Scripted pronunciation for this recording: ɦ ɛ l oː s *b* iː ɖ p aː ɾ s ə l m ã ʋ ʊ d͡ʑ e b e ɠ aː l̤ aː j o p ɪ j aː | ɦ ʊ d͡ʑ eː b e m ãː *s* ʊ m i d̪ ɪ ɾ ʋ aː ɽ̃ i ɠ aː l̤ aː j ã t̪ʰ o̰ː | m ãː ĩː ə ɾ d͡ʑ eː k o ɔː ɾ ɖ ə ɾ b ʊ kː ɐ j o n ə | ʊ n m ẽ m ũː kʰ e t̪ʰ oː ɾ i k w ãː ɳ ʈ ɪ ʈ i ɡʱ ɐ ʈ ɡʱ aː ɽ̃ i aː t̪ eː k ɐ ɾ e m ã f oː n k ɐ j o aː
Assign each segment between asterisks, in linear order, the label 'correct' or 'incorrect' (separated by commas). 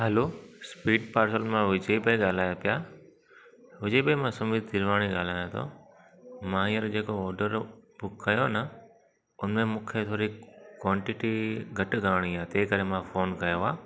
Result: incorrect, correct